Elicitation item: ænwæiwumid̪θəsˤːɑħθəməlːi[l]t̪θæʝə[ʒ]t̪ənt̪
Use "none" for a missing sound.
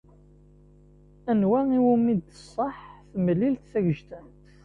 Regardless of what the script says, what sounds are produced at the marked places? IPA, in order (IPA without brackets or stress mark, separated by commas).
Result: l, ʒ